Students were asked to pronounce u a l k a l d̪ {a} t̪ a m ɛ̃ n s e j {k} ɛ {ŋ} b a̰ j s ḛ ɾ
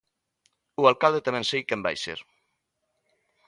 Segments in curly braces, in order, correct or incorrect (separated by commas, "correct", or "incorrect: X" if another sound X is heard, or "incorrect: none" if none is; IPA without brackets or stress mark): incorrect: e, correct, incorrect: m